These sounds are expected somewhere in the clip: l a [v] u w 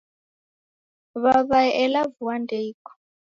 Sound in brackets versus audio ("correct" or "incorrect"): correct